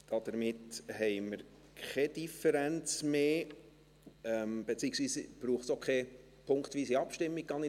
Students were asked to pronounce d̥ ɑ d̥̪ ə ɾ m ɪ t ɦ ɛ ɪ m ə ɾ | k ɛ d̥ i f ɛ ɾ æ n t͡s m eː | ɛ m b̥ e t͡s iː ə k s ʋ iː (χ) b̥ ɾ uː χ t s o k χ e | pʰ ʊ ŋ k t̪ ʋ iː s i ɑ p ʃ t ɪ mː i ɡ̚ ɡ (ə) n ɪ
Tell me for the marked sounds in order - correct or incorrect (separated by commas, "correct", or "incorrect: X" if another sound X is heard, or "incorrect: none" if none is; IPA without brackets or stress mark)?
incorrect: s, incorrect: ɑ